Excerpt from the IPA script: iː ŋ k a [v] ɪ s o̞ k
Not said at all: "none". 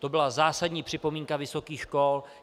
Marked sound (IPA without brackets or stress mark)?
v